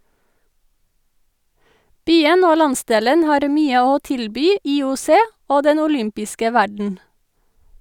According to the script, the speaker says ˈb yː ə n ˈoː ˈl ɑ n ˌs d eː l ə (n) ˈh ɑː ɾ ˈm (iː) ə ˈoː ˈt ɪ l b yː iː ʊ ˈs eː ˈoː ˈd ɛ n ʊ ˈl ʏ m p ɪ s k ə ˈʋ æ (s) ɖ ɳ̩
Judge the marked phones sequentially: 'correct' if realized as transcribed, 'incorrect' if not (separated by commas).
correct, incorrect, incorrect